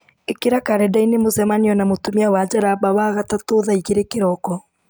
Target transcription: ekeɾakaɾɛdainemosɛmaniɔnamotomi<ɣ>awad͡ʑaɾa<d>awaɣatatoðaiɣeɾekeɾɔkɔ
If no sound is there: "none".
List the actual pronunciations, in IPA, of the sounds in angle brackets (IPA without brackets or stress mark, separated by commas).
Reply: none, b